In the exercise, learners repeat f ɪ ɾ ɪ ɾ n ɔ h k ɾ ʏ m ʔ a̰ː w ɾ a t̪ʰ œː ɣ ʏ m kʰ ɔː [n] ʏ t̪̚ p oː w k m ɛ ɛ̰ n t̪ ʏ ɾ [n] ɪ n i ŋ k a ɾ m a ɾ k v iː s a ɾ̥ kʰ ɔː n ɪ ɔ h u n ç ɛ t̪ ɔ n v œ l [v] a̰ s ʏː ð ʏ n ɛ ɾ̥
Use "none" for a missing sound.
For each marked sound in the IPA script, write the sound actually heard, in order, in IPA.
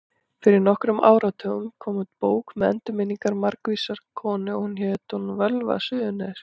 m, m, v

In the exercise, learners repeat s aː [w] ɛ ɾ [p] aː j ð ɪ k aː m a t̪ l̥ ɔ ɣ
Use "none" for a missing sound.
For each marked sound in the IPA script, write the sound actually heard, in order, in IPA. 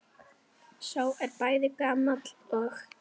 w, p

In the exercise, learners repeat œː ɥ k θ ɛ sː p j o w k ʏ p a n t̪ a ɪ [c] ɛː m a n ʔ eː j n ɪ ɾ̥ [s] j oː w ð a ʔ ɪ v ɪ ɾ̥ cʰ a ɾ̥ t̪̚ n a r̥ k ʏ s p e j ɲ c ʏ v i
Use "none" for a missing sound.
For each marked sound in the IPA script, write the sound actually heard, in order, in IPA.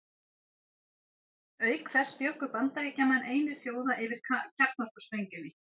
c, f

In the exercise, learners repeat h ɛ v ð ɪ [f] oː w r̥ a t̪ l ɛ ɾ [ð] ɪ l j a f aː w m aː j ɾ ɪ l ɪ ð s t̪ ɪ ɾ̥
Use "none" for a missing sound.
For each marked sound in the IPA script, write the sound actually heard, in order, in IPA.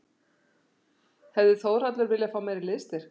θ, v

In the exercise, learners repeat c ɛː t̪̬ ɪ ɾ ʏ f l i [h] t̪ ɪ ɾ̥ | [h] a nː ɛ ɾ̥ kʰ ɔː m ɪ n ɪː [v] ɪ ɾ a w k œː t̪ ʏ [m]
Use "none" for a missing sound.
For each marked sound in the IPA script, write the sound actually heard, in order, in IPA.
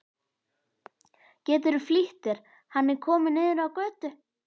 h, h, ð, none

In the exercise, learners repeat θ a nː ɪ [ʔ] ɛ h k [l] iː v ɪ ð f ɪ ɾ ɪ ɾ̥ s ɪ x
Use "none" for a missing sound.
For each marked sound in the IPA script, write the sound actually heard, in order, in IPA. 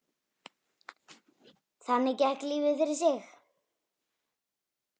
c, l

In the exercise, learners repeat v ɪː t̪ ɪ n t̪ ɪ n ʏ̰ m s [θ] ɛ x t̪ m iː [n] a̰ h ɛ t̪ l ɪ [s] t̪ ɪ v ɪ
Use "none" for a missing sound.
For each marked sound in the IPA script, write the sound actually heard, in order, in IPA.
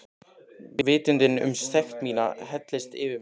θ, n, s

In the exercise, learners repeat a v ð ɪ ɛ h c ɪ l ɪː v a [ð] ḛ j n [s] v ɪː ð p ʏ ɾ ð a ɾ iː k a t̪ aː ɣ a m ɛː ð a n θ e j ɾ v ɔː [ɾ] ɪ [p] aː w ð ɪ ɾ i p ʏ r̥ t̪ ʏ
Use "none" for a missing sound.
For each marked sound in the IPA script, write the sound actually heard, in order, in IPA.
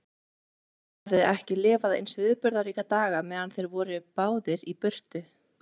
ð, s, ɾ, p

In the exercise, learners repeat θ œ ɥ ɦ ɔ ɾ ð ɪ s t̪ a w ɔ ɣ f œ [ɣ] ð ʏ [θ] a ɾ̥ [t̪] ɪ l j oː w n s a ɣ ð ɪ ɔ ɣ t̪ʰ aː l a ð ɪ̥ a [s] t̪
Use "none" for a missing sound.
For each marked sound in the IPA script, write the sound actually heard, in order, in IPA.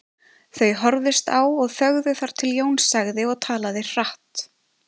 ɣ, θ, t̪ʰ, h

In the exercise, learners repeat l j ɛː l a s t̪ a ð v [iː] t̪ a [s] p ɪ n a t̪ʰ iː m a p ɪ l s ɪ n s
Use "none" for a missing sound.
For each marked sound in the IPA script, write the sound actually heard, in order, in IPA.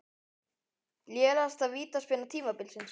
iː, s

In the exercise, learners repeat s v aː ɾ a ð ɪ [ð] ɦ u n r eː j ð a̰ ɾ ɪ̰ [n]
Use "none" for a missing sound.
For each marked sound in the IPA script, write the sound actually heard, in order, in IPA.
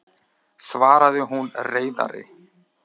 none, none

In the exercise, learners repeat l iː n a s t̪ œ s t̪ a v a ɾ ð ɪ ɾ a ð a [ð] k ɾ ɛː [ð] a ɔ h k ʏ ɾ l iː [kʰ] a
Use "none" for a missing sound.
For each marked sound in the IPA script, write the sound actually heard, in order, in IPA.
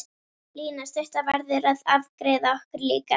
v, ð, k

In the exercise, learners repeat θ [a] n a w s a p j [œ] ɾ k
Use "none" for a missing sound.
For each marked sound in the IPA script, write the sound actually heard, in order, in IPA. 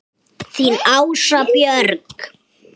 i, œ

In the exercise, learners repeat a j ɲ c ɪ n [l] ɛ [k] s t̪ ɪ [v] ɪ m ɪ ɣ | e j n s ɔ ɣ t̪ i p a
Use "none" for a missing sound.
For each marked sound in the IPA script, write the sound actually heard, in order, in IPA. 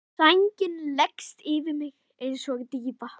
l, k, v

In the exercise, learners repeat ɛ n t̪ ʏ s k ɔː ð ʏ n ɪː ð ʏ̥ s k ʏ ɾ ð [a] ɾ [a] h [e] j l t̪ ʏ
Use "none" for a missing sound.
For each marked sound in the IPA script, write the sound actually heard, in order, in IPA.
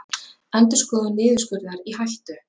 a, i, a

